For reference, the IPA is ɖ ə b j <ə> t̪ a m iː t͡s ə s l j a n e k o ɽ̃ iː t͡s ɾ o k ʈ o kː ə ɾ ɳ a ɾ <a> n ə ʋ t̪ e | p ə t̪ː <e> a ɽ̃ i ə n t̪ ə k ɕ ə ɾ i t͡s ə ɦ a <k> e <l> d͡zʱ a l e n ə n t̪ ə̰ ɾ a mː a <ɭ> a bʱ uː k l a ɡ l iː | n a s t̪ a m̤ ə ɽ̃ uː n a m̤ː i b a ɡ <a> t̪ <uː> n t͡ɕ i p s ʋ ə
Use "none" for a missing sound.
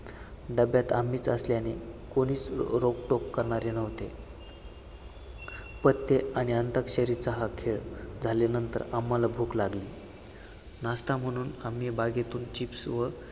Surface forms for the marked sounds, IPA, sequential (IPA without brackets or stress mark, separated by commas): a, e, e, kʰ, ɭ, l, e, uː